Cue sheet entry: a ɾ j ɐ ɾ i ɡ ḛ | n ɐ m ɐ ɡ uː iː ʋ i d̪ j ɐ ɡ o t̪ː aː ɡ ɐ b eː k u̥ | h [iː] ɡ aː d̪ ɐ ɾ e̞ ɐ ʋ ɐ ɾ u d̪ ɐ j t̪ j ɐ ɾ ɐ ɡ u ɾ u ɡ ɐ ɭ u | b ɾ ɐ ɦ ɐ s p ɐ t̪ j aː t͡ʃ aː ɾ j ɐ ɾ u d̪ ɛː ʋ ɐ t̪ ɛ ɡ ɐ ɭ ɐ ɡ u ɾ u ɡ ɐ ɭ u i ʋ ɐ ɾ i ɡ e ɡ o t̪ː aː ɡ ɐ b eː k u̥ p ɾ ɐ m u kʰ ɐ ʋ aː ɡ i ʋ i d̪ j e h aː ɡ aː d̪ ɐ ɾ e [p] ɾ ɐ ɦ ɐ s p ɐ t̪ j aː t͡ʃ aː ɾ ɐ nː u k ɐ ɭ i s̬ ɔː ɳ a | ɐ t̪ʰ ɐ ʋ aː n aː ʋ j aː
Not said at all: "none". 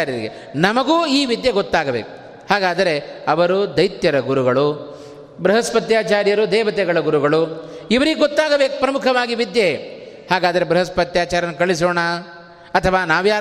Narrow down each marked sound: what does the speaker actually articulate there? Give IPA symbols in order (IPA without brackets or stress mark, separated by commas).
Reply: aː, b